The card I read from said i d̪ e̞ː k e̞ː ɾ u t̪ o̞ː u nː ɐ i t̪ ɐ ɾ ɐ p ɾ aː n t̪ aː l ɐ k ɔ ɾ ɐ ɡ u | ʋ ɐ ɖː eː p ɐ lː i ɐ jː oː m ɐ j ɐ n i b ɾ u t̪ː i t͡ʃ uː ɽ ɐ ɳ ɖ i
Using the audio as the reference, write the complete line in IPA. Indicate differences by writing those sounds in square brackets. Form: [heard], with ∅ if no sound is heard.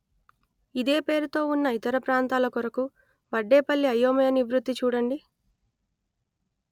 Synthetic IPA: i d̪ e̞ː [p] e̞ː ɾ u t̪ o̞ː u nː ɐ i t̪ ɐ ɾ ɐ p ɾ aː n t̪ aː l ɐ k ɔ ɾ ɐ [k] u | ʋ ɐ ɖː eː p ɐ lː i ɐ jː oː m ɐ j ɐ n i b ɾ u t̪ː i t͡ʃ uː ɽ ɐ ɳ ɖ i